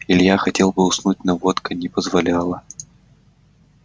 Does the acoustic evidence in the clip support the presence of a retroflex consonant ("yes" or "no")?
no